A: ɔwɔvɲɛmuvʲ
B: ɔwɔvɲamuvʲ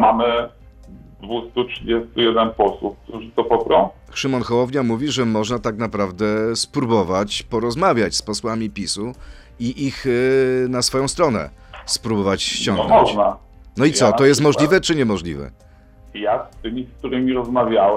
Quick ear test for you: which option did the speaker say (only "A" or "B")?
B